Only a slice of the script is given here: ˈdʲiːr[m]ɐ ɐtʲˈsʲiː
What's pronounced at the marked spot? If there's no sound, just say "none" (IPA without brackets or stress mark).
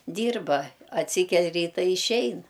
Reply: b